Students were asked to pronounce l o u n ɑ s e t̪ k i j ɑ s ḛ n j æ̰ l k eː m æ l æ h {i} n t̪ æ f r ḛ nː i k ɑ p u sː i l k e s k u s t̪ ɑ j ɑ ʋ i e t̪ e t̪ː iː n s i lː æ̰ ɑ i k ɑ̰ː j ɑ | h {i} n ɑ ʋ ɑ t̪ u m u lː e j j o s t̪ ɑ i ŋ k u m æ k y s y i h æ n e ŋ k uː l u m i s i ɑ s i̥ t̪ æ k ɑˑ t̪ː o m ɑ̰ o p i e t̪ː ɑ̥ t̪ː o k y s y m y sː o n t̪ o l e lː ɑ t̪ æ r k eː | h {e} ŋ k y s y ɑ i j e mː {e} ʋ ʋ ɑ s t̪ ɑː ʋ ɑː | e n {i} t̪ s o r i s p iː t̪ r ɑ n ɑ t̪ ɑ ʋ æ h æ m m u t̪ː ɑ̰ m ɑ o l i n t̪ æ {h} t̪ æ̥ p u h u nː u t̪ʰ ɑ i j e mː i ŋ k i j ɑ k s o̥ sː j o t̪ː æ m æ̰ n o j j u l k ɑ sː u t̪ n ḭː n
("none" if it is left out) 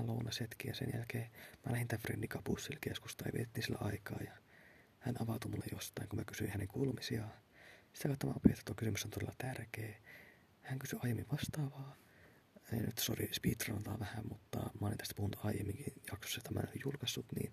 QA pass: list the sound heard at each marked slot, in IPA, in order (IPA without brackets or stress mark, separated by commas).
i, æ, æ, i, y, s